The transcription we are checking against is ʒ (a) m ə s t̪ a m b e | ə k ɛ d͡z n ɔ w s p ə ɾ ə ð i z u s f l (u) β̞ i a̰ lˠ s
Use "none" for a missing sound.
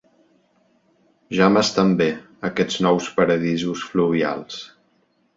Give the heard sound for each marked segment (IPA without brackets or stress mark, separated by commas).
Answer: a, u